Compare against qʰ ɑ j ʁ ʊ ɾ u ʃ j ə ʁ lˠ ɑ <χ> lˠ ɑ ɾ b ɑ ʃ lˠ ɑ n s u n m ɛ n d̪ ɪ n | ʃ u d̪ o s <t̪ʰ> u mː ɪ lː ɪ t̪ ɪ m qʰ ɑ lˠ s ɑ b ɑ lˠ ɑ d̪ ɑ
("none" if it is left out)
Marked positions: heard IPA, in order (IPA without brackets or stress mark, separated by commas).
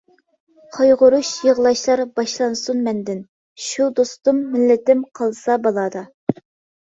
ʃ, t̪